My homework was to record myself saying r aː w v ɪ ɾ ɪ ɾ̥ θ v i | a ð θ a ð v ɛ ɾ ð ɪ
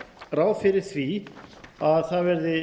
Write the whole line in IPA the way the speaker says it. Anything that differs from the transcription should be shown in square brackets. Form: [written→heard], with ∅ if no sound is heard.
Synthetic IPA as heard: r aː w [v→f] ɪ ɾ ɪ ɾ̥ θ v i | a ð θ a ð v ɛ ɾ ð ɪ